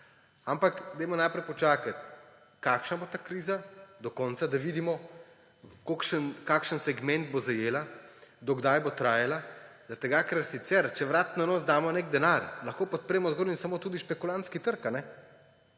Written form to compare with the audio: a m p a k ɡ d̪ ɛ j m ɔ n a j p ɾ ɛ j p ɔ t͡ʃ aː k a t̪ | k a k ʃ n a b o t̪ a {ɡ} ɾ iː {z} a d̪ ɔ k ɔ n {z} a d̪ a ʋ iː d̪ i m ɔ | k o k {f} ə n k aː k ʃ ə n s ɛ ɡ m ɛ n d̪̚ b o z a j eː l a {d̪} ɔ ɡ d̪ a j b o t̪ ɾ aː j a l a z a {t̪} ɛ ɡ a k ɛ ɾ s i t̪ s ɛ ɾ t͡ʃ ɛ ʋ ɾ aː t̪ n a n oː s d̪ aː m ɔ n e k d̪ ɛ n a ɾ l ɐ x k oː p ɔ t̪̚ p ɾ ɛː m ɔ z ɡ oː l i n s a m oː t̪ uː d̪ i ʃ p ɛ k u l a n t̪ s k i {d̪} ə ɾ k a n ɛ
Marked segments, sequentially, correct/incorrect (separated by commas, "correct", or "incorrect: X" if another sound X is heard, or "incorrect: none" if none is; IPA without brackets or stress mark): incorrect: k, correct, incorrect: s, incorrect: ʃ, correct, correct, incorrect: t̪